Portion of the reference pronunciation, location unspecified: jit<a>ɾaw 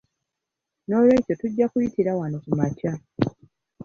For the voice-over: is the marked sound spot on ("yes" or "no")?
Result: no